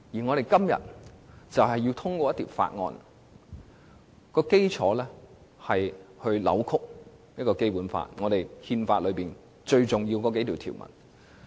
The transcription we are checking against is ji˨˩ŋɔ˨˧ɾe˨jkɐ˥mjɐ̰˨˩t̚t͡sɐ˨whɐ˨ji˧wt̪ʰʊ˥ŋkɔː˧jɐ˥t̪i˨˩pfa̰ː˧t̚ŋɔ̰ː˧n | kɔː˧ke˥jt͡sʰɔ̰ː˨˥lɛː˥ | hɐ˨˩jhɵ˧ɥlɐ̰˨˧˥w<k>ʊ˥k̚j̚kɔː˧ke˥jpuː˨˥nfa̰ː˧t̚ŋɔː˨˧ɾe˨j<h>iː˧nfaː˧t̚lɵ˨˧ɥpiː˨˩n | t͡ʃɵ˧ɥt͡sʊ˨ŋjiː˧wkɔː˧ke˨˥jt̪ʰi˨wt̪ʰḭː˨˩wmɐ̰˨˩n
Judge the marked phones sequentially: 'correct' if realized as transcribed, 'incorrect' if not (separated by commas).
incorrect, correct